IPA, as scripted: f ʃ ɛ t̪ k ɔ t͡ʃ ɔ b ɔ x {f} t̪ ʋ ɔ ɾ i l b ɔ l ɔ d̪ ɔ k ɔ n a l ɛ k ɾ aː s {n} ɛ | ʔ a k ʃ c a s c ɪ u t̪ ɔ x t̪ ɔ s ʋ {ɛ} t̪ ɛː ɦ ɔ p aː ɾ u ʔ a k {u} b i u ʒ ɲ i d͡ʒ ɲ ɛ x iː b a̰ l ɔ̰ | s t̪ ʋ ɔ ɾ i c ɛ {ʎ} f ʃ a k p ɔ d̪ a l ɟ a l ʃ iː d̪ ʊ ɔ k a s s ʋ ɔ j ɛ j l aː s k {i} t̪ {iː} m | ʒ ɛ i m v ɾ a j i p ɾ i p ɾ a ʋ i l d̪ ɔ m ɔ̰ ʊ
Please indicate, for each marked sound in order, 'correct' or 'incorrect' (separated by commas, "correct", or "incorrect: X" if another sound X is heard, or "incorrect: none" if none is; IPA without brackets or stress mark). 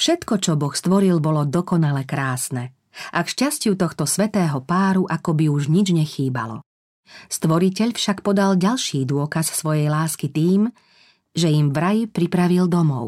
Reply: incorrect: s, correct, correct, incorrect: ɔ, correct, correct, correct